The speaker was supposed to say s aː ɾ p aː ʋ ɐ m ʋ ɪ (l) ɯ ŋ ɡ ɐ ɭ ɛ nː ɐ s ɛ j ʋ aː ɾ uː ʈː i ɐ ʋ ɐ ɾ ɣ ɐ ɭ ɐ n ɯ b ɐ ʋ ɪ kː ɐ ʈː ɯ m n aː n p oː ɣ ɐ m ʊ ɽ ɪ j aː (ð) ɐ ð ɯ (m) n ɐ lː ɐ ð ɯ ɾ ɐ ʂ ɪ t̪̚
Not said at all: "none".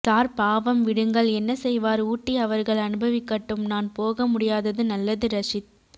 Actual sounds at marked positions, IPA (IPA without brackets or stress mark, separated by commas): ɽ, ð, none